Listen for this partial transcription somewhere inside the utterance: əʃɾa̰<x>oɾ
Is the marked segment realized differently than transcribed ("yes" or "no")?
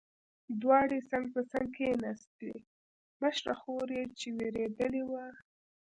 no